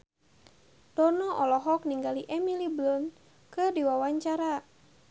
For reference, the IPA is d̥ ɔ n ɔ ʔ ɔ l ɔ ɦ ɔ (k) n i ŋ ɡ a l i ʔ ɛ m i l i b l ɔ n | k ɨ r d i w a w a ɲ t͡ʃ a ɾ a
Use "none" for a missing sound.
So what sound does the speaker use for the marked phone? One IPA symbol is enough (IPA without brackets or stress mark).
k